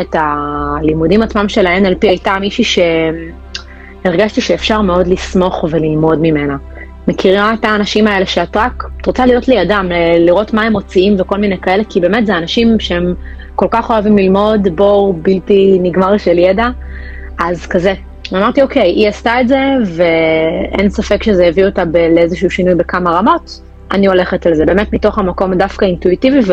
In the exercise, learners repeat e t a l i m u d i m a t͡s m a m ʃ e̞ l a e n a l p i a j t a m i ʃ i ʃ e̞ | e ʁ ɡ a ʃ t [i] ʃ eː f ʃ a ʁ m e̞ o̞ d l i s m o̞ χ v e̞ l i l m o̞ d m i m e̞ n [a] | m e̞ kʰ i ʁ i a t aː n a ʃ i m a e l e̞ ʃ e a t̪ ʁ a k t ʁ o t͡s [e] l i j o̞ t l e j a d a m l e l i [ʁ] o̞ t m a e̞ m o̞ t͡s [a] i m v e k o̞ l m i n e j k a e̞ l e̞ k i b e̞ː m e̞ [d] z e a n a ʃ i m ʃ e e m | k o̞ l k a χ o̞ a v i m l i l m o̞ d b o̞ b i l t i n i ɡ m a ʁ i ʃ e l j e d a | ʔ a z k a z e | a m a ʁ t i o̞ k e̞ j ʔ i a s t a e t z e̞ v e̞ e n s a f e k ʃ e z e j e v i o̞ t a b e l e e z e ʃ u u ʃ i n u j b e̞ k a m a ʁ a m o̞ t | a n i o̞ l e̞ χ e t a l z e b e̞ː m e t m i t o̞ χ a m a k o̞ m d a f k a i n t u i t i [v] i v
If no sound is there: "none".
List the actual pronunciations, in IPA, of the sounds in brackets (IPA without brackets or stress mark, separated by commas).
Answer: i, a, a, ʁ, i, t, v